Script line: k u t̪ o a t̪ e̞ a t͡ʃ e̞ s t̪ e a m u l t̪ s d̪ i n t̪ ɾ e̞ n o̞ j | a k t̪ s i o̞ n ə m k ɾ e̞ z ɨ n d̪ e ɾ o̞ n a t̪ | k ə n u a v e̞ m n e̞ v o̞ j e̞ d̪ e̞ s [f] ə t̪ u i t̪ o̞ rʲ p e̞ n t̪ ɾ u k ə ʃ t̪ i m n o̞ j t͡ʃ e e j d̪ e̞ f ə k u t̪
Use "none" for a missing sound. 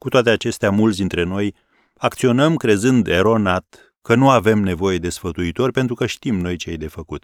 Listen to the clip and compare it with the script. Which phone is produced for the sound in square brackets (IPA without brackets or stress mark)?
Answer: f